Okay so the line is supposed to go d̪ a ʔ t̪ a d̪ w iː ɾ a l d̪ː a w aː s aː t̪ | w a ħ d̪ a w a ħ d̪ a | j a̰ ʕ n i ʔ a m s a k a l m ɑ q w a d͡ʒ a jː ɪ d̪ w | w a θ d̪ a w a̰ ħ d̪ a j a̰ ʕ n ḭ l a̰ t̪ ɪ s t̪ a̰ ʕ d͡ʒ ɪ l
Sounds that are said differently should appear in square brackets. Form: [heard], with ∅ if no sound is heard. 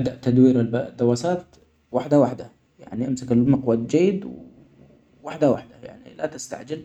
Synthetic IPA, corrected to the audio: d̪ a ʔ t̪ a d̪ w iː ɾ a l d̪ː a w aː s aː t̪ | w a ħ d̪ a w a ħ d̪ a | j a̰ ʕ n i ʔ a m s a k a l m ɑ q w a d͡ʒ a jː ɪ d̪ w | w a [ħ] d̪ a w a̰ ħ d̪ a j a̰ ʕ n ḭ l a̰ t̪ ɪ s t̪ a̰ ʕ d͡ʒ ɪ l